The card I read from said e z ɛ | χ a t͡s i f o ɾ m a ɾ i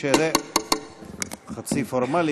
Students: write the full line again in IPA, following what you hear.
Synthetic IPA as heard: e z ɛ | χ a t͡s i f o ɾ m a l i